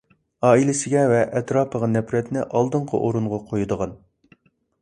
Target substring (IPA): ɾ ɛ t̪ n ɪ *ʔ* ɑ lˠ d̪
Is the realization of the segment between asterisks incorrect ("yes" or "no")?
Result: no